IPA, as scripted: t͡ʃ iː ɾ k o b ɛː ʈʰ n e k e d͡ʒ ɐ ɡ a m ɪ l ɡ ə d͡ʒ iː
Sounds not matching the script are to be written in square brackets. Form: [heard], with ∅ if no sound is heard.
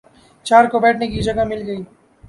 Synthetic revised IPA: t͡ʃ [aː] ɾ k o b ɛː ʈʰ n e k [i] d͡ʒ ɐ ɡ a m ɪ l ɡ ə [∅] iː